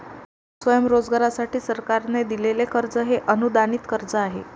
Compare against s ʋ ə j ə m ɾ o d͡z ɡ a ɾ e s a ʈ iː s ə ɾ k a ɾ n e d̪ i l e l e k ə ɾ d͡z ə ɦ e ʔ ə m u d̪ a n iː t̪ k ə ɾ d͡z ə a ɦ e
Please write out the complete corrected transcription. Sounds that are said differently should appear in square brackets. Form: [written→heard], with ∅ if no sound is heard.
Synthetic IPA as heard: s ʋ ə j ə m ɾ o d͡z ɡ a ɾ [e→a] s a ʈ iː s ə ɾ k a ɾ n e d̪ i l e l e k ə ɾ d͡z ə ɦ e ʔ ə [m→n] u d̪ a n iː t̪ k ə ɾ d͡z ə a ɦ e